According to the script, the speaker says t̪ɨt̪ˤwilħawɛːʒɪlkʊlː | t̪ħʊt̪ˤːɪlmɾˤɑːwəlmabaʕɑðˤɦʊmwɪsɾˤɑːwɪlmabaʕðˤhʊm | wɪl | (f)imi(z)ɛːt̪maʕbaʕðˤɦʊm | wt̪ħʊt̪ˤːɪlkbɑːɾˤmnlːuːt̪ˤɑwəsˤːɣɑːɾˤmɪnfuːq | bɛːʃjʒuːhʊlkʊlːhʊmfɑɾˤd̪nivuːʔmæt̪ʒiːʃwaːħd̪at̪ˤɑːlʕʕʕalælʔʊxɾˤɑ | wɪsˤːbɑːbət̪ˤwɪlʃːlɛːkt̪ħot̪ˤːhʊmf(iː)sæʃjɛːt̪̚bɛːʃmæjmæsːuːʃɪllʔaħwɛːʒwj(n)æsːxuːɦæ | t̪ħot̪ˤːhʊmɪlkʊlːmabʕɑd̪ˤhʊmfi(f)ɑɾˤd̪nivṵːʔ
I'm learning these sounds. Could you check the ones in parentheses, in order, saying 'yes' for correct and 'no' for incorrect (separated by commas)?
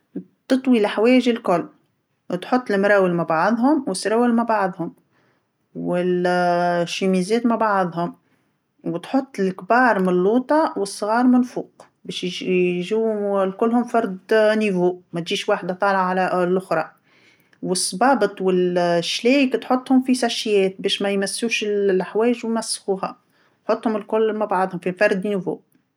no, yes, no, no, yes